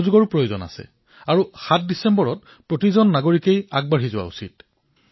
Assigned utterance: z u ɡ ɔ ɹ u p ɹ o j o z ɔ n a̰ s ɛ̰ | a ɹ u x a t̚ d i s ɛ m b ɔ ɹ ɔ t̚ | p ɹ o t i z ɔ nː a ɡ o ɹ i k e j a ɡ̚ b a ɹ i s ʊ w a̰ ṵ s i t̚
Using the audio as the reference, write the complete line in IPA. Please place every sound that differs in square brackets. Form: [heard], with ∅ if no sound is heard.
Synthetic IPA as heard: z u ɡ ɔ ɹ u p ɹ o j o z ɔ n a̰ s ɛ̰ | a ɹ u x a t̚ d i s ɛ m b ɔ ɹ ɔ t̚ | p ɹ o t i z ɔ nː a ɡ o ɹ i k e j a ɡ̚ b a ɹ i [z] ʊ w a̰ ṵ s i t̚